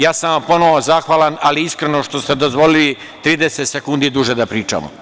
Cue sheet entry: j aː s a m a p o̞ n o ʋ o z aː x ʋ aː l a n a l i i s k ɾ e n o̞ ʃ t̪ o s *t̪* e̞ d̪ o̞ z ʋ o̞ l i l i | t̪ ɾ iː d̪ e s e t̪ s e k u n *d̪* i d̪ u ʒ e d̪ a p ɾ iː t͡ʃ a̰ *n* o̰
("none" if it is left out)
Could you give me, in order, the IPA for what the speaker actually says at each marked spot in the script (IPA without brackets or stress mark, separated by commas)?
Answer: t̪, d̪, m